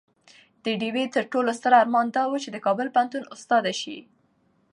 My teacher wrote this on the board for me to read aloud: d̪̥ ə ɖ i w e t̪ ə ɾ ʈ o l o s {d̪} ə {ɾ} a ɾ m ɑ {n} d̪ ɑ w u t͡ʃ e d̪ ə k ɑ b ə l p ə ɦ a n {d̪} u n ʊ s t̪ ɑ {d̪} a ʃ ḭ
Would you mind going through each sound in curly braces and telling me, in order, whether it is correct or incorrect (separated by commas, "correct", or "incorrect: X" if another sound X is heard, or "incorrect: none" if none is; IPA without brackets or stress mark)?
incorrect: t̪, correct, correct, incorrect: t̪, correct